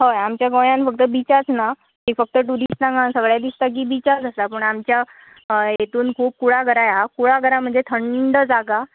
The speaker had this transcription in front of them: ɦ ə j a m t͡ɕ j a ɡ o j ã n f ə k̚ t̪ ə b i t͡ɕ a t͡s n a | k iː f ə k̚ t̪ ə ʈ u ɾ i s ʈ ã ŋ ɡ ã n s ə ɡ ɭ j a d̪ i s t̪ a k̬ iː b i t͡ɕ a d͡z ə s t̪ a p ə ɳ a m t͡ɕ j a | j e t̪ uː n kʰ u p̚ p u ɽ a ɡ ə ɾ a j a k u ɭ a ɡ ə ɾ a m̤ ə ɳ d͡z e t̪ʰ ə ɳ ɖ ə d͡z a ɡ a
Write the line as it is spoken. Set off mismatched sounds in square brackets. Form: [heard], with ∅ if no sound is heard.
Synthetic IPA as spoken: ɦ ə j a m t͡ɕ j a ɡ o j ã n f ə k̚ t̪ ə b i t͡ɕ a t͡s n a | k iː f ə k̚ t̪ ə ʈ u ɾ i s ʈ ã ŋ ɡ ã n s ə ɡ ɭ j a d̪ i s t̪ a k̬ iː b i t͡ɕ a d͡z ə s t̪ a p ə ɳ a m t͡ɕ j a | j e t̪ uː n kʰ [uː] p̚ [k] u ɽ a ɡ ə ɾ a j a k u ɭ a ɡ ə ɾ a m̤ ə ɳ d͡z e t̪ʰ ə ɳ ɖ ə d͡z a ɡ a